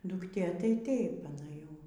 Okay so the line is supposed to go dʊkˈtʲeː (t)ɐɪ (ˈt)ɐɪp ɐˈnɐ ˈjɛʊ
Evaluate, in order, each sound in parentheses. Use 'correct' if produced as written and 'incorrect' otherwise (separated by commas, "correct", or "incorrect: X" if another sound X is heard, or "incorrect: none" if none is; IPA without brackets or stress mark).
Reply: correct, correct